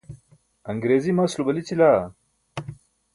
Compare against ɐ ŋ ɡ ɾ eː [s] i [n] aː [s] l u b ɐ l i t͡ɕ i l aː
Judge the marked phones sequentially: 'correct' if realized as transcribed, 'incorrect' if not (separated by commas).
incorrect, incorrect, correct